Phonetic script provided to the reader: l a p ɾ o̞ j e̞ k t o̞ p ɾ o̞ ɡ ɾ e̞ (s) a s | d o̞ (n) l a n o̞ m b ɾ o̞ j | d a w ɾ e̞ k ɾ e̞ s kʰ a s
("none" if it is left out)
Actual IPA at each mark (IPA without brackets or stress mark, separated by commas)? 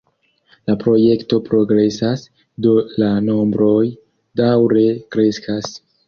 s, none